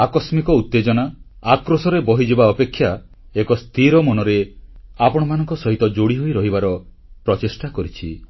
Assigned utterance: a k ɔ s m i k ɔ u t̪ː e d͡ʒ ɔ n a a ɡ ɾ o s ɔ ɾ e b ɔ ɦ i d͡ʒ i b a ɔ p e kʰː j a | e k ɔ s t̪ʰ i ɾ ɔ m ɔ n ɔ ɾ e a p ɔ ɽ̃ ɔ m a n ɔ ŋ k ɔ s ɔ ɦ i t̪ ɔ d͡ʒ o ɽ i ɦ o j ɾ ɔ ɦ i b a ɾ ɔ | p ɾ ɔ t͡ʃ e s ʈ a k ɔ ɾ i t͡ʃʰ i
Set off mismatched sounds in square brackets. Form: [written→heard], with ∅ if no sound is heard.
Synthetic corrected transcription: a k ɔ s m i k ɔ u t̪ː e d͡ʒ ɔ n a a [ɡ→k] ɾ o s ɔ ɾ e b ɔ ɦ i d͡ʒ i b a ɔ p e kʰː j a | e k ɔ s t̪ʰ i ɾ ɔ m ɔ n ɔ ɾ e a p ɔ ɽ̃ ɔ m a n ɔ ŋ k ɔ s ɔ ɦ i t̪ ɔ d͡ʒ o ɽ i ɦ o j ɾ ɔ ɦ i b a ɾ ɔ | p ɾ ɔ t͡ʃ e s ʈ a k ɔ ɾ i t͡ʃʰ i